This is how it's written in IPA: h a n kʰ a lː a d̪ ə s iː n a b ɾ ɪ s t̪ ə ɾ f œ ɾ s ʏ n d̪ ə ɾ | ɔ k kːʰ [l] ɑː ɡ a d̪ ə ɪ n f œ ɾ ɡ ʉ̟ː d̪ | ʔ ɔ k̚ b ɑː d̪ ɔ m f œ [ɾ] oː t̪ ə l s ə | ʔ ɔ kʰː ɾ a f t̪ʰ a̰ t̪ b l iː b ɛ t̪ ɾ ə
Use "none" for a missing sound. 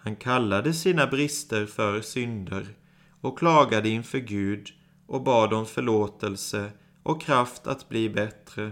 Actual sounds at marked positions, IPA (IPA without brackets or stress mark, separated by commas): l, ɭ